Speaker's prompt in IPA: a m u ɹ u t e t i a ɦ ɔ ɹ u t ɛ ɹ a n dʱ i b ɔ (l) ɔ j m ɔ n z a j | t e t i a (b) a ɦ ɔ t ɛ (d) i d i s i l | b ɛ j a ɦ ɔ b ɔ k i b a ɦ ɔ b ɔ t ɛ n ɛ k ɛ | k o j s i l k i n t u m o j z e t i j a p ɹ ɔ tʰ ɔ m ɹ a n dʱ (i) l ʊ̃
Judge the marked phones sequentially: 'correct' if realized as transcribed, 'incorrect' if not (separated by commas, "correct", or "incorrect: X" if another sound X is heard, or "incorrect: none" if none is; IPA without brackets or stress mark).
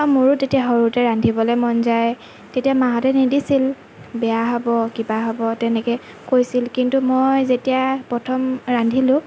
correct, incorrect: m, incorrect: n, correct